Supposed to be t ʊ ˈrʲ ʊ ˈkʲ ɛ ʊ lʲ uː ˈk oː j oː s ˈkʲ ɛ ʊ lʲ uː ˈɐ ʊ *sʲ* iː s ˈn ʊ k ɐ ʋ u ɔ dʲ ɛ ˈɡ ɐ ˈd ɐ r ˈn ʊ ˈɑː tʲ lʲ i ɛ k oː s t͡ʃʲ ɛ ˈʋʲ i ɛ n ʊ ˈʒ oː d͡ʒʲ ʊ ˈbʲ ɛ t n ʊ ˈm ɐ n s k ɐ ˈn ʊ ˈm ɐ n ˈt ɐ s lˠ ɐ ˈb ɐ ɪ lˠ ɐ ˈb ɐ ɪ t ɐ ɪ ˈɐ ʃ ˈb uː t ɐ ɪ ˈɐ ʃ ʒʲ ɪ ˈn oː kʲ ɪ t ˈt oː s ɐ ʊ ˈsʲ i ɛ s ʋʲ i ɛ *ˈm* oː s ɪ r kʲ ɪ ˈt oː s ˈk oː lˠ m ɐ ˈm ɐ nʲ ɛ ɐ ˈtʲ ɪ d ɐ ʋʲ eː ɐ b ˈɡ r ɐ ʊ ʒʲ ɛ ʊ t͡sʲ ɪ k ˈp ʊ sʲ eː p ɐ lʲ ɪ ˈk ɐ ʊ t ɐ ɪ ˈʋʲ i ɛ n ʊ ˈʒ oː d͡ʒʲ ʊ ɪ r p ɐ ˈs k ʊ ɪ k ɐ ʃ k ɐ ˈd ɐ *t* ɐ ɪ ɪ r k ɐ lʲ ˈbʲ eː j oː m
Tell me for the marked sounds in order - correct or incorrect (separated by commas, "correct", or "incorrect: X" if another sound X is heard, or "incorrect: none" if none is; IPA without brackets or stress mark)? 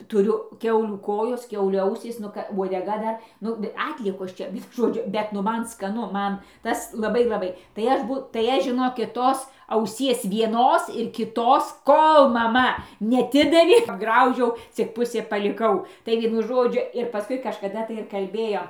correct, incorrect: n, correct